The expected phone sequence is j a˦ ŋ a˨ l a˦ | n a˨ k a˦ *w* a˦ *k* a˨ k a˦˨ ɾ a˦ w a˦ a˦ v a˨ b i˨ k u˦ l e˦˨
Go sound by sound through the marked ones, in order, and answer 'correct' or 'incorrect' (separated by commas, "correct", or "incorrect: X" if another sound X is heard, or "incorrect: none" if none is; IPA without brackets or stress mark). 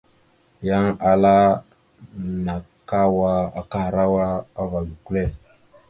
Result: correct, incorrect: none